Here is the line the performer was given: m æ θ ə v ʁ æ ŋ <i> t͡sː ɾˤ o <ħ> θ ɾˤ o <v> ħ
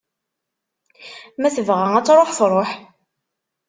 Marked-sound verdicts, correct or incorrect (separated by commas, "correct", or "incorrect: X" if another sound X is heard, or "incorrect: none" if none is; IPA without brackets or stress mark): incorrect: æ, correct, incorrect: none